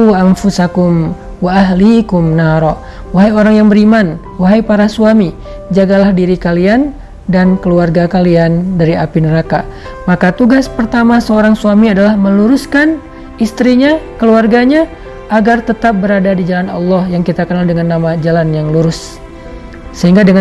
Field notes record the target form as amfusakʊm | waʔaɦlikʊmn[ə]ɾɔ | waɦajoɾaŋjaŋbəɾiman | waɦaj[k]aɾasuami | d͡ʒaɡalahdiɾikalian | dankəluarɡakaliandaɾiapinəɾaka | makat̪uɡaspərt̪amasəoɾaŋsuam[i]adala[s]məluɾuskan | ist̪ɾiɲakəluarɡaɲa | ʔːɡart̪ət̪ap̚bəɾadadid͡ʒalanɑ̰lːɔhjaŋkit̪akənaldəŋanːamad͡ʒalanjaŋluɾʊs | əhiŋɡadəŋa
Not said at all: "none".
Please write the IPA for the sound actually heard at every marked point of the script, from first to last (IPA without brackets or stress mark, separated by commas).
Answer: a, p, i, h